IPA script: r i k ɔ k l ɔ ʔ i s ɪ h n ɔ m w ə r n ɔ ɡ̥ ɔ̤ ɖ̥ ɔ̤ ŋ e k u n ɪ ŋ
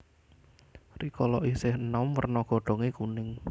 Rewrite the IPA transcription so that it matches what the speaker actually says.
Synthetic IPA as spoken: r i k ɔ l ɔ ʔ i s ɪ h n ɔ m w ə r n ɔ ɡ̥ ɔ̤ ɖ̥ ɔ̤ ŋ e k u n ɪ ŋ